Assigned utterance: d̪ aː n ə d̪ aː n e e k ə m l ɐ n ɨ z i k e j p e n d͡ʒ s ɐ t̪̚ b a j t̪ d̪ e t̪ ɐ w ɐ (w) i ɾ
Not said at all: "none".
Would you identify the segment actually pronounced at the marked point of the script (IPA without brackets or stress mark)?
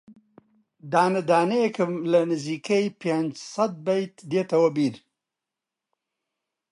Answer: b